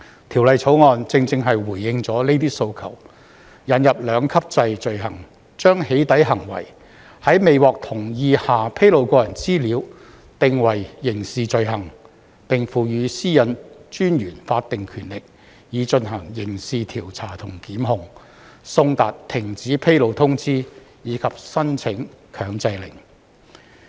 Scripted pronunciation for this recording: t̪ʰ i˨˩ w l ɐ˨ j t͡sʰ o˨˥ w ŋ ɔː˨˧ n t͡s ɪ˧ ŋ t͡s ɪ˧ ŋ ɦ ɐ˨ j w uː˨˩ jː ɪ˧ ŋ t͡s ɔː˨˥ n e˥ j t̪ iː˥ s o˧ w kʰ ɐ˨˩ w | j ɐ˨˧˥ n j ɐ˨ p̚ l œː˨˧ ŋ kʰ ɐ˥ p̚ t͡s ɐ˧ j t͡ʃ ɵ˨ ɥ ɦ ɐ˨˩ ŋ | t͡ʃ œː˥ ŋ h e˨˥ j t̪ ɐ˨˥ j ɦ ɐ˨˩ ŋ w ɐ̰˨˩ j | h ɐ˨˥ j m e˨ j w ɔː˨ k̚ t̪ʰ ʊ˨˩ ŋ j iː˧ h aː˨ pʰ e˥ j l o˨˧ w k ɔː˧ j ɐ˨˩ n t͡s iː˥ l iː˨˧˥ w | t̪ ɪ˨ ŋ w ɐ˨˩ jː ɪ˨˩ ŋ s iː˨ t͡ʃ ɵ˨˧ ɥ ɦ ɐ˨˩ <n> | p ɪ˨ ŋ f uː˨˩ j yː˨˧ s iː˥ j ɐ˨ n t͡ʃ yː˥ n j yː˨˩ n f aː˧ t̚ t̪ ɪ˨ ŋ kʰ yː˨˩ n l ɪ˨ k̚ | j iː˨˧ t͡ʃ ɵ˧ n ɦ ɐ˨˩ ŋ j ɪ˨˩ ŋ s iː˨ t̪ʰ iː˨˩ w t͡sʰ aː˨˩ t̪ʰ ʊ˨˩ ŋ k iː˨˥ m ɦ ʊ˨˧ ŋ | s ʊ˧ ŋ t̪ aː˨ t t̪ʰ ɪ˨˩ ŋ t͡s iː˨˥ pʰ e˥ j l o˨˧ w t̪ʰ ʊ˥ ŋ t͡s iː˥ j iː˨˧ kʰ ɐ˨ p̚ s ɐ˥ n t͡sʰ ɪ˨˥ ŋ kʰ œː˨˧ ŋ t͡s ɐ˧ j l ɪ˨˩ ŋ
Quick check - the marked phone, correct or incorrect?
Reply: incorrect